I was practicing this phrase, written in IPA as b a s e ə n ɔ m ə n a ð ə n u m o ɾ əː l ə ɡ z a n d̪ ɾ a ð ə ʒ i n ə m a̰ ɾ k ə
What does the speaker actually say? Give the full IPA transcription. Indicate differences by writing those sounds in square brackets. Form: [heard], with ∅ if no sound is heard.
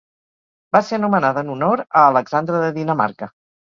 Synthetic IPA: b a s e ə n [u] m ə n a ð ə n u [n] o ɾ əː l ə ɡ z a n d̪ ɾ [ə] ð ə [ð] i n ə m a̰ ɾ k ə